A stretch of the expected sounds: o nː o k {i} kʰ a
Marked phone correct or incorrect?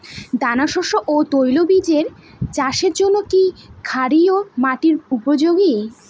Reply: correct